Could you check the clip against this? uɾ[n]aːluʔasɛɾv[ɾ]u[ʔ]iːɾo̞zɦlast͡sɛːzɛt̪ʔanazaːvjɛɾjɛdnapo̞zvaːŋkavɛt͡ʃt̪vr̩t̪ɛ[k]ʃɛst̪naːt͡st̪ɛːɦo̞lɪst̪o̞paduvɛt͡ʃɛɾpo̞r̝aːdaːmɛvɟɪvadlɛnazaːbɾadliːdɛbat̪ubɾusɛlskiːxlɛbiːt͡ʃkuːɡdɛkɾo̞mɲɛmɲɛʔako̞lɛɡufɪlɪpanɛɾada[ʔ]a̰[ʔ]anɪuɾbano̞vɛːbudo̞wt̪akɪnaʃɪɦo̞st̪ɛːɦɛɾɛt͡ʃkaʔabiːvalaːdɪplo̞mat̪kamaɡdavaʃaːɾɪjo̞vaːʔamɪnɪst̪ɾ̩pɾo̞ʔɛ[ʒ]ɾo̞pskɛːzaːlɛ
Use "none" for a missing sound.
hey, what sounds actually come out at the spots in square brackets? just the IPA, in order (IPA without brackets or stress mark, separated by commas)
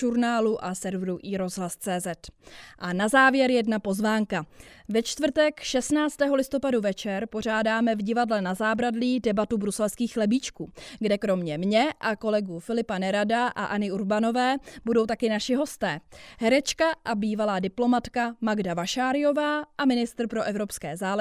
n, ɾ, ʔ, k, ʔ, ʔ, v